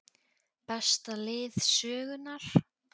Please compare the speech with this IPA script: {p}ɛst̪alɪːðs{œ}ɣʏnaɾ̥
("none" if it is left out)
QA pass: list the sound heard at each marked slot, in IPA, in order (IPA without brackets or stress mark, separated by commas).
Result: p, œː